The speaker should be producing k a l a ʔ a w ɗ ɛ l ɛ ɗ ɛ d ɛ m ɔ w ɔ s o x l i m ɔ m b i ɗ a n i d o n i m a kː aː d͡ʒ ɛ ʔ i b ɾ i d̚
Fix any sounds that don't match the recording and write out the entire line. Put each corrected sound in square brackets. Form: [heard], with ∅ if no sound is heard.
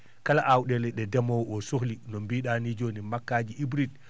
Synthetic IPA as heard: k a l a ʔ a w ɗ ɛ l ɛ ɗ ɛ d ɛ m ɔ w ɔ s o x l i [n] ɔ m b i ɗ a n i [d͡ʒ] o n i m a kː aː d͡ʒ [i] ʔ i b ɾ i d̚